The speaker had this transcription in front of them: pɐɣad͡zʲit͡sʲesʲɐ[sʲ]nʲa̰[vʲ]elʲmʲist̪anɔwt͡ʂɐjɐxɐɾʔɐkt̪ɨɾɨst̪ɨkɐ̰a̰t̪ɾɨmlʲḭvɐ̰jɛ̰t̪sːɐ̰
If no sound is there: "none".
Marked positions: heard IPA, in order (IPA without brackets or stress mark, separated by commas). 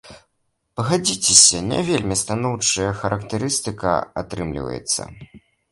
none, vʲ